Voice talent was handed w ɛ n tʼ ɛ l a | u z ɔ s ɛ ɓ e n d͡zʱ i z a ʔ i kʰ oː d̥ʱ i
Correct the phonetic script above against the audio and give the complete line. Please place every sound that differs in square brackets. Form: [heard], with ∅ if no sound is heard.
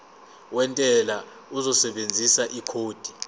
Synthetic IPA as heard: w ɛ n tʼ ɛ l a | u z ɔ s ɛ ɓ e n d͡zʱ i [s] a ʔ i kʰ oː d̥ʱ i